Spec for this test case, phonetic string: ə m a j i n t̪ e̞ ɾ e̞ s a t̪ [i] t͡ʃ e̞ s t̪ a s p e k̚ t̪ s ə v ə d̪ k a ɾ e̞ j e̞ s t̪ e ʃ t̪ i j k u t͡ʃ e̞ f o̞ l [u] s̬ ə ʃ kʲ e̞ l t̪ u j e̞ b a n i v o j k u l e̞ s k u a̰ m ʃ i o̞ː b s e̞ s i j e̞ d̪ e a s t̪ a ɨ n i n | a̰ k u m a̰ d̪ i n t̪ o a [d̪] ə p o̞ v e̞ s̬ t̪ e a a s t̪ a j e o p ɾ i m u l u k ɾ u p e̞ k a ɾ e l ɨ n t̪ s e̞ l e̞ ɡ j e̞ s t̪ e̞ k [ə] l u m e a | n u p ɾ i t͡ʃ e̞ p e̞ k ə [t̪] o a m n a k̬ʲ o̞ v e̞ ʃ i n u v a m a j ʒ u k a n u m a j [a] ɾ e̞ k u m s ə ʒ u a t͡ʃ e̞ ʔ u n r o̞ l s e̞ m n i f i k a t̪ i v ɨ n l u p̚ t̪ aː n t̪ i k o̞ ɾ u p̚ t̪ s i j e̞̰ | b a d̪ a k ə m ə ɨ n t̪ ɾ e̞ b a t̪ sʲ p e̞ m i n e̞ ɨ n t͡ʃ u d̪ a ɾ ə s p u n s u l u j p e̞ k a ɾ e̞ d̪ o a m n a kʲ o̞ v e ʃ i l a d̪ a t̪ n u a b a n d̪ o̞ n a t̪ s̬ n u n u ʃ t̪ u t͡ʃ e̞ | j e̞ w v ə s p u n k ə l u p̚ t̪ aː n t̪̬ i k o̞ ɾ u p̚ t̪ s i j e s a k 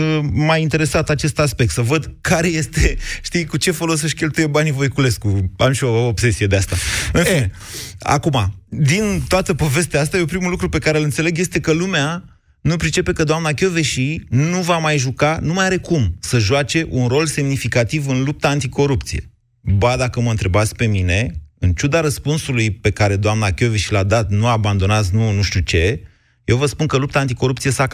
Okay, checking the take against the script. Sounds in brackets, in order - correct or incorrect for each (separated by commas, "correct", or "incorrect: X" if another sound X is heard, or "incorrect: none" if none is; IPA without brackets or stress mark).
incorrect: a, incorrect: o, incorrect: t̪, correct, incorrect: d̪, correct